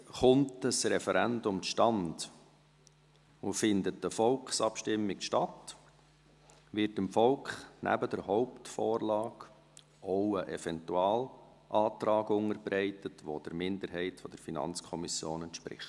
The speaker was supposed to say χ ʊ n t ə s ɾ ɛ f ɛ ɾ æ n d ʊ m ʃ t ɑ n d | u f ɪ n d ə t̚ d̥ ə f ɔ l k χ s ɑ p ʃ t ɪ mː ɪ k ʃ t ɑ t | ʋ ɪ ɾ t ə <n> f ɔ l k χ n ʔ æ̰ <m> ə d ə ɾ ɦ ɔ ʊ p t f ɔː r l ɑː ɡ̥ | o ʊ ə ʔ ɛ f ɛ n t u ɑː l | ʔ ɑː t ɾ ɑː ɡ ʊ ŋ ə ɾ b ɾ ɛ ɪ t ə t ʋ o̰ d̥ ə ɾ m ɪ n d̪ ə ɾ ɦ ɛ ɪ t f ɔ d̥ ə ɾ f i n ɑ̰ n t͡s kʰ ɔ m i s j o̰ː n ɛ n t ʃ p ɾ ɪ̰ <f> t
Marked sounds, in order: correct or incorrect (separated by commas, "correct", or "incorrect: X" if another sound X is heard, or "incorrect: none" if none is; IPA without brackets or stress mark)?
incorrect: m, incorrect: b, incorrect: χ